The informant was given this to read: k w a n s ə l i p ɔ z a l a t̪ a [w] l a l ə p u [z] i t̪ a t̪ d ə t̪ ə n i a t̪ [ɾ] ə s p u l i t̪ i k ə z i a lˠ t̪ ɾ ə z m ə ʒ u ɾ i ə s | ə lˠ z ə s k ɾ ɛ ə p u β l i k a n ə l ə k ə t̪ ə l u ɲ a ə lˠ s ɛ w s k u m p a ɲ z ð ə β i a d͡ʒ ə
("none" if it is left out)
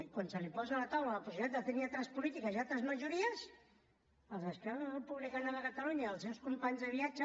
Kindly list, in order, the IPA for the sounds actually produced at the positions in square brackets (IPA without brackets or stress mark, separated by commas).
w, s, ɾ